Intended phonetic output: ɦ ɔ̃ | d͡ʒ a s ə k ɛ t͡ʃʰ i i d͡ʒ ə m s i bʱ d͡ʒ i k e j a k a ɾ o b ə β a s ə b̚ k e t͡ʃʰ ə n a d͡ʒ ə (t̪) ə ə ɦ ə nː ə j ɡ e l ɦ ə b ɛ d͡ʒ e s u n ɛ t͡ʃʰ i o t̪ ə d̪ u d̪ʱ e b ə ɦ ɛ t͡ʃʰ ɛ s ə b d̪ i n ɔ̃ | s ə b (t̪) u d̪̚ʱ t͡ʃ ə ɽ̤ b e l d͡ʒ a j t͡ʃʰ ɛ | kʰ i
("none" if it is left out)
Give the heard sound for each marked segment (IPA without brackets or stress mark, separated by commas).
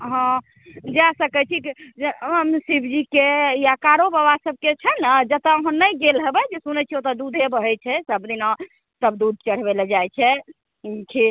t̪, d̪